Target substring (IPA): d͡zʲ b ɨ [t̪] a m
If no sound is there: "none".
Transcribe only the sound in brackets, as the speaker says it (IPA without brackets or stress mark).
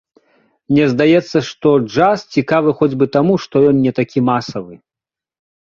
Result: t̪